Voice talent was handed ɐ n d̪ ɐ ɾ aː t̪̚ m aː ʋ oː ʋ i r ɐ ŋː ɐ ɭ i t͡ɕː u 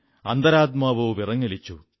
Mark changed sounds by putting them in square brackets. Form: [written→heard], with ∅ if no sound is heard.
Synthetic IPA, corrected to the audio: ɐ n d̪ ɐ ɾ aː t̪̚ m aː ʋ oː ʋ i r ɐ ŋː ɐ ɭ i t͡ɕː u